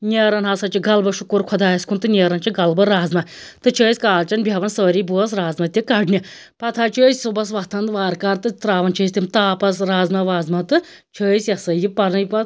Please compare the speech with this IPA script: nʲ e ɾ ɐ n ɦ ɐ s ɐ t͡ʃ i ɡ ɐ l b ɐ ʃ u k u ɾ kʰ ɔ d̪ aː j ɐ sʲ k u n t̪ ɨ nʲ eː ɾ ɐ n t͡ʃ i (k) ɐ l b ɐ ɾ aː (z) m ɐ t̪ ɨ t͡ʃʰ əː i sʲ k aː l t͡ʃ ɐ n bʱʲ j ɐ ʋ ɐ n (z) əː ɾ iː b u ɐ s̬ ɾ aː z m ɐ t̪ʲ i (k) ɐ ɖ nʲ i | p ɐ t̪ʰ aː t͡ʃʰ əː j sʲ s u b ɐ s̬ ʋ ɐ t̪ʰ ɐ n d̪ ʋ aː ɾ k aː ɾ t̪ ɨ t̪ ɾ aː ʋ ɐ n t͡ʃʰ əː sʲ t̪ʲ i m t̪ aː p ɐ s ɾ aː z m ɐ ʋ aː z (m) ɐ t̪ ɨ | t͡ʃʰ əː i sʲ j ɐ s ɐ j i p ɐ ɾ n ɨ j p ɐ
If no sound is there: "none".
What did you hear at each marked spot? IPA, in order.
ɡ, z, s, k, m

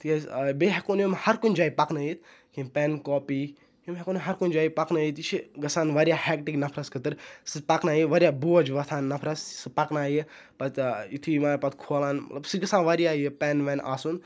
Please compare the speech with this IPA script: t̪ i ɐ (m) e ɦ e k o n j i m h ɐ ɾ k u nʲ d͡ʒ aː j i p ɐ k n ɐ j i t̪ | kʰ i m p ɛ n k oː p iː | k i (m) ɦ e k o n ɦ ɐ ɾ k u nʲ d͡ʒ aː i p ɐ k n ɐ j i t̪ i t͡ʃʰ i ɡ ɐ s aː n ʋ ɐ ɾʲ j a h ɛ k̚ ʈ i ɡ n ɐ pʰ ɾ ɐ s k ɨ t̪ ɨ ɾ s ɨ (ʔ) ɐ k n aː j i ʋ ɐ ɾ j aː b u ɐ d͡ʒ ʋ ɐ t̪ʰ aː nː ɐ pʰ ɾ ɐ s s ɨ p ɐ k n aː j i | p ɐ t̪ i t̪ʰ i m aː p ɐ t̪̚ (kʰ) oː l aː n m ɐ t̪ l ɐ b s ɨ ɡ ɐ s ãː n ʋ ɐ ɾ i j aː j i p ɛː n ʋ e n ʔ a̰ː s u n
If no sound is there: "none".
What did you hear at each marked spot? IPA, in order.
b, m, p, kʰ

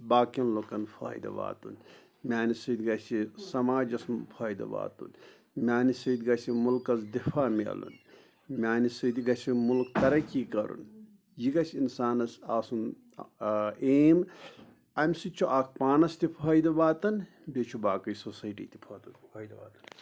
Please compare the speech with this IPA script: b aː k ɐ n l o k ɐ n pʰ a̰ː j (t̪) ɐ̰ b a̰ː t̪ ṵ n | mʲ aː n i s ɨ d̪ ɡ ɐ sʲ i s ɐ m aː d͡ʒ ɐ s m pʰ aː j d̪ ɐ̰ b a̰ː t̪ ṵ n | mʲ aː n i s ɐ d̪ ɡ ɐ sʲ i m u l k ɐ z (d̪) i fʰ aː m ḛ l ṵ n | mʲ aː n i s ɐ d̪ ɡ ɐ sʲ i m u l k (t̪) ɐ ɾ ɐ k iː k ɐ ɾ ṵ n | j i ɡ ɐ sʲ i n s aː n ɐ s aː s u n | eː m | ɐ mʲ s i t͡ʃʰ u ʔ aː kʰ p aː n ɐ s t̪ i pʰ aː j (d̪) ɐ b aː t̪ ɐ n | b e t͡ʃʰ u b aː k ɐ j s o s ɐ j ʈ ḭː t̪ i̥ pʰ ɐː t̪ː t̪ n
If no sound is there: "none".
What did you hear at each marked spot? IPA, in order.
d̪, d̪, t̪, d̪

